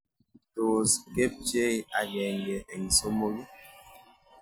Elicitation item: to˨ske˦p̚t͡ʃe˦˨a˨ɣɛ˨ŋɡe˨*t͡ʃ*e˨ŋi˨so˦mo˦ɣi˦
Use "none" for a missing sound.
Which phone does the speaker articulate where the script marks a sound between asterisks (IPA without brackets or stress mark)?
none